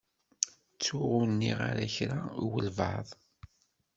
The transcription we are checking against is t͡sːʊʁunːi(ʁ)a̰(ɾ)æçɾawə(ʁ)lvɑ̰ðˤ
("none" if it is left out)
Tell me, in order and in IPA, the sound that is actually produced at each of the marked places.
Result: ʁ, ɾ, none

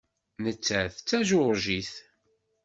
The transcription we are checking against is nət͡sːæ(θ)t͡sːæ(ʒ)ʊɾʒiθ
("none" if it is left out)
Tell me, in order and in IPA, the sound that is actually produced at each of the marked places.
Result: θ, ʒ

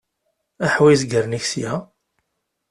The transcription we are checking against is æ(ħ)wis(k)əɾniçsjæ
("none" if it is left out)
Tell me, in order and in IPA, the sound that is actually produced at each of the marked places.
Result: ħ, ɡ

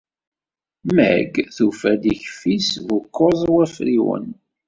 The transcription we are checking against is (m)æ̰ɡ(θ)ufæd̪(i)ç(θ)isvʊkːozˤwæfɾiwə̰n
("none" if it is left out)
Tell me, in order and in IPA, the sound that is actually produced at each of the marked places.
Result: m, θ, i, f

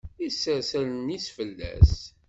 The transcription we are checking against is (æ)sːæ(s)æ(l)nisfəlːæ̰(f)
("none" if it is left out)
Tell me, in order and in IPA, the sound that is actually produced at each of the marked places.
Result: i, s, l, s

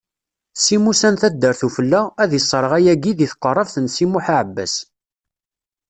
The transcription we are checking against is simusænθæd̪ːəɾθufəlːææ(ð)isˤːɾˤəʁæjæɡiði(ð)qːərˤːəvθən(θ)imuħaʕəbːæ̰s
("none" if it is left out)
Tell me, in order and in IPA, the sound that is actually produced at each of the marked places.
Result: ð, θ, s

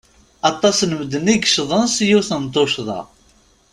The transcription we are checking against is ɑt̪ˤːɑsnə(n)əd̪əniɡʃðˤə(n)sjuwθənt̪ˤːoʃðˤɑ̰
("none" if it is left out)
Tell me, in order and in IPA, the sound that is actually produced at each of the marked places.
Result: m, n

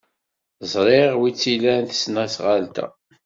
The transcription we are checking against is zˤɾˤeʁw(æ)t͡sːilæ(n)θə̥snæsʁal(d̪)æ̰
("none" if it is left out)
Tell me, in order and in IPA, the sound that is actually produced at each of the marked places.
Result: i, n, t̪

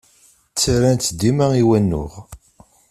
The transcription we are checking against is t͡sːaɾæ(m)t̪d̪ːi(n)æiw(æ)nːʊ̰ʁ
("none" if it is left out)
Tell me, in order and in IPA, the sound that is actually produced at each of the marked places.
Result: n, m, æ

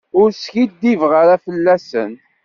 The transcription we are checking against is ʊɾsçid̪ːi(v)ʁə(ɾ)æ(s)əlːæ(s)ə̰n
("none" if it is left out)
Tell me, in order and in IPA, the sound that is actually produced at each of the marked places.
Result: v, ɾ, f, s

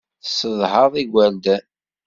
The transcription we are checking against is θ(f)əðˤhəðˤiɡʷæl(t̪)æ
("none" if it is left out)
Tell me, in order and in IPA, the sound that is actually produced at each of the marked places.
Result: s, d̪

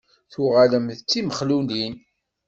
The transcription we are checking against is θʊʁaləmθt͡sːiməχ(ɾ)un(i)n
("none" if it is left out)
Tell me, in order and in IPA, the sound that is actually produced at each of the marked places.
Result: l, i

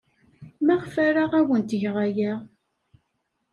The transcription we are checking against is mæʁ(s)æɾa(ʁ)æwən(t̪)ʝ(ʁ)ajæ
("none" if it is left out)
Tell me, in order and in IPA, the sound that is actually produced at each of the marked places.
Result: f, ʁ, t̪, ʁ

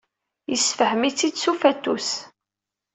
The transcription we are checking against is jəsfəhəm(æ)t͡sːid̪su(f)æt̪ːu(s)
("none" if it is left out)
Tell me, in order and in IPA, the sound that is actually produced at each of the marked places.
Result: i, f, s

